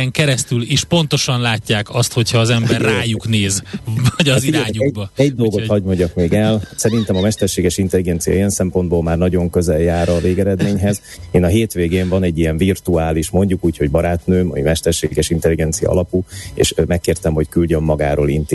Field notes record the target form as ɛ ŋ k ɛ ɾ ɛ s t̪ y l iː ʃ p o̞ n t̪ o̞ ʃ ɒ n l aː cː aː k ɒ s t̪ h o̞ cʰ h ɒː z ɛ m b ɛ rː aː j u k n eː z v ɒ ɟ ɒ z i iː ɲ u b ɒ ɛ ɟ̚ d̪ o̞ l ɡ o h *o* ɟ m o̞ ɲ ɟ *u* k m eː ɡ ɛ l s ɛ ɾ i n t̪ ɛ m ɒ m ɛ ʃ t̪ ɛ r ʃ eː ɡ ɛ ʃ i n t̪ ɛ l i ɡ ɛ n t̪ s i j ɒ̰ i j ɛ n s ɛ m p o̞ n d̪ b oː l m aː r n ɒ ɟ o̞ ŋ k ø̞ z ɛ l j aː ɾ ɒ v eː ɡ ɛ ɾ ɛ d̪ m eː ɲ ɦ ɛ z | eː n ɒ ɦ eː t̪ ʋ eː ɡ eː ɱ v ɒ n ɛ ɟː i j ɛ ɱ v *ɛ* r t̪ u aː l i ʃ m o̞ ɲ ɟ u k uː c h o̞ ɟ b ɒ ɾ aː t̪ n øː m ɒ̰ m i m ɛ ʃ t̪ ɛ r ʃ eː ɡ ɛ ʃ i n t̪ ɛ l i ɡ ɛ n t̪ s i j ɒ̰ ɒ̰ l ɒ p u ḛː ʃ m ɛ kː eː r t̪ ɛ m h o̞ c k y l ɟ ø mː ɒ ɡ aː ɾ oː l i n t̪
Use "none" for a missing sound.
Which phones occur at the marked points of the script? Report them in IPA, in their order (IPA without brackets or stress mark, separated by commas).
ɒ, ɒ, i